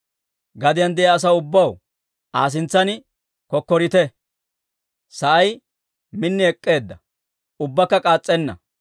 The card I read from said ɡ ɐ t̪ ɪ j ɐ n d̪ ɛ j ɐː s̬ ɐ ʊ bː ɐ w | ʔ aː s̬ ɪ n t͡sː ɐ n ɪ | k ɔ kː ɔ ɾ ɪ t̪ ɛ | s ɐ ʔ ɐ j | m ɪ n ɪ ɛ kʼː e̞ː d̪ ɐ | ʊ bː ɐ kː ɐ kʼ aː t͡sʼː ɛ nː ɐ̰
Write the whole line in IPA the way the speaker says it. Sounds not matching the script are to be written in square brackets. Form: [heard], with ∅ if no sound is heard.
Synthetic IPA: ɡ ɐ [d̪] ɪ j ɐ n d̪ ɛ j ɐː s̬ ɐ ʊ bː ɐ w | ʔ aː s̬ ɪ n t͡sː ɐ n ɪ | k ɔ kː ɔ ɾ ɪ t̪ ɛ | s ɐ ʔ ɐ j | m ɪ [nː] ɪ ɛ kʼː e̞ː [d̪ː] ɐ | ʊ bː ɐ kː ɐ kʼ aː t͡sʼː ɛ nː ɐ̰